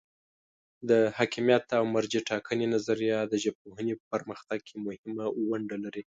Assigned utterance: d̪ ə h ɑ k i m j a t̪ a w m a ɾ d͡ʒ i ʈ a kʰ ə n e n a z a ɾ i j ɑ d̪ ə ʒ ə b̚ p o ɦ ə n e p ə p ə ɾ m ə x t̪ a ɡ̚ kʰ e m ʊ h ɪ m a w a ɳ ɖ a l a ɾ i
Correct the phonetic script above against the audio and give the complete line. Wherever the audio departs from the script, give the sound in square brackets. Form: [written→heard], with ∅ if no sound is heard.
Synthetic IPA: d̪ ə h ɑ k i m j a t̪ a w m a ɾ d͡ʒ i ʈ [a→ɑ] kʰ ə n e n a z a ɾ i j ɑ d̪ ə ʒ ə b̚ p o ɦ ə n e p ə p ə ɾ m ə x t̪ a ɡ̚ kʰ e m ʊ h ɪ m a w a ɳ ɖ a l a ɾ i

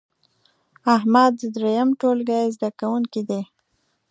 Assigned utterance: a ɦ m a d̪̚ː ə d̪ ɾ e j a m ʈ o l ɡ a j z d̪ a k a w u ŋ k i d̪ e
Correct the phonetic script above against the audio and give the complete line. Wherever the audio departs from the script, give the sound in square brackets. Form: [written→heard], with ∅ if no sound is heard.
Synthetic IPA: a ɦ m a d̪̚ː ə d̪ ɾ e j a m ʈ o l ɡ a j z d̪ a k a w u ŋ k i d̪ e

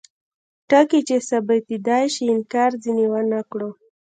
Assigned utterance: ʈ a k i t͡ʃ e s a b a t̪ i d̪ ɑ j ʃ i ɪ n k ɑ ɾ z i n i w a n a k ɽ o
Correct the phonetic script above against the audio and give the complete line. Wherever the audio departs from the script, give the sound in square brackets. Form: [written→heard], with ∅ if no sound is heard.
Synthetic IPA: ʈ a k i t͡ʃ e s a b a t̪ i d̪ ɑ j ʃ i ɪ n k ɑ ɾ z i n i w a n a k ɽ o

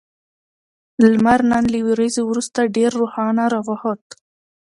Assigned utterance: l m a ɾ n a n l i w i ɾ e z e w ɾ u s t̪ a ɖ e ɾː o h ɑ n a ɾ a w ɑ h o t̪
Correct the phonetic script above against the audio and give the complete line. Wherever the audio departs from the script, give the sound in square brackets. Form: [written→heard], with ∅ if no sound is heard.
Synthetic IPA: l m a ɾ n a n l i w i ɾ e z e w ɾ u s t̪ a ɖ e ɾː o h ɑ n a ɾ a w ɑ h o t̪

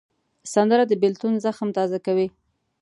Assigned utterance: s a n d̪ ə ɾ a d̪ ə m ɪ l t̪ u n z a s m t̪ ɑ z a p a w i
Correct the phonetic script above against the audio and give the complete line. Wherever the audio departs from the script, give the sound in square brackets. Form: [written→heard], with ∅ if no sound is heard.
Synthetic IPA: s a n d̪ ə ɾ a d̪ ə [m→b] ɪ l t̪ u n z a [s→x] m t̪ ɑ z a [p→k] a w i

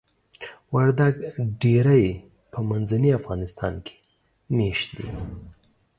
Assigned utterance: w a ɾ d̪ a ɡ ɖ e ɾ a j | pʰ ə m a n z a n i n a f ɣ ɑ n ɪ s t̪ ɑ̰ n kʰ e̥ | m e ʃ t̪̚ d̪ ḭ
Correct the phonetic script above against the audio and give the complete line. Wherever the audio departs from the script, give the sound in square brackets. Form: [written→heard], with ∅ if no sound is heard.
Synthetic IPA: w a ɾ d̪ a ɡ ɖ e ɾ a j | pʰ ə m a n z a n i [n→∅] a f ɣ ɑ n ɪ s t̪ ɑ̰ n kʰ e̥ | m e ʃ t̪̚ d̪ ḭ

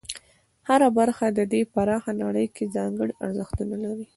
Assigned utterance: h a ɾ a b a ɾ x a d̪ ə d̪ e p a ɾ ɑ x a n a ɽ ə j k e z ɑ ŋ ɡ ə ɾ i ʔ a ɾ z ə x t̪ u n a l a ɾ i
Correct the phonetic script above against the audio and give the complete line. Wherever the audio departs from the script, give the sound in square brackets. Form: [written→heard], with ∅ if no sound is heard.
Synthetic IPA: h a ɾ a b a ɾ x a d̪ ə d̪ e p a ɾ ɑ x a n a ɽ ə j k e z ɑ ŋ ɡ ə [ɾ→ɽ] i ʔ a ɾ z ə x t̪ u n a l a ɾ i

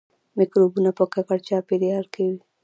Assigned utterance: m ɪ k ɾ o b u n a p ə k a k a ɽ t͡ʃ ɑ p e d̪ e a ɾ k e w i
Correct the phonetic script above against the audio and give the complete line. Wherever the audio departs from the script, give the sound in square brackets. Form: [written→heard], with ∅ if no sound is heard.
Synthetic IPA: m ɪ k ɾ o b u n a p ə k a k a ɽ t͡ʃ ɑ p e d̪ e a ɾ k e w i

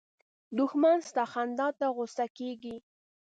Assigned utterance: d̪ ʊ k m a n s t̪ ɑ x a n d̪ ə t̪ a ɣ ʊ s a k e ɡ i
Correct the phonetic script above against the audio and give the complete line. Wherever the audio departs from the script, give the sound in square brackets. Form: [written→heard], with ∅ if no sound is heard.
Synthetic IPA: d̪ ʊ [k→x] m a n s t̪ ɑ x a n d̪ [ə→ɑ] t̪ a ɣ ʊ s a k e ɡ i

